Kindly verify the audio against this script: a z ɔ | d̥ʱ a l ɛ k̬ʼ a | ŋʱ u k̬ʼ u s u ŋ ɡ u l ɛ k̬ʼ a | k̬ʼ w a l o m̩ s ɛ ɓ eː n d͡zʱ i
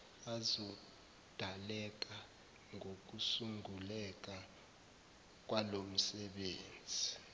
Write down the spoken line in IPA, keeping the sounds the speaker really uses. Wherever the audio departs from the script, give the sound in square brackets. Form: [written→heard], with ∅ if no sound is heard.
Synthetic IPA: a z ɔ | d̥ʱ a l ɛ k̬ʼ a | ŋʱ [u→o] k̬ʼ u s u ŋ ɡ u l ɛ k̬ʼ a | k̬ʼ w a l o m̩ s ɛ ɓ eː n d͡zʱ i